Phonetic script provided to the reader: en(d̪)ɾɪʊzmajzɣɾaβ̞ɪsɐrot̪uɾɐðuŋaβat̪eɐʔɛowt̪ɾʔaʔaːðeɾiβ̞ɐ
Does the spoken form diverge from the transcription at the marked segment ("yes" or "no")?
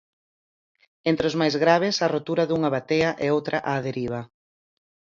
yes